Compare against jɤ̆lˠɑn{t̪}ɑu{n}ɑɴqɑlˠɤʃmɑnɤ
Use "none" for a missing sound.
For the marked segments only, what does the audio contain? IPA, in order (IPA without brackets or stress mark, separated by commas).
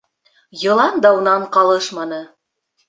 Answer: d̪, n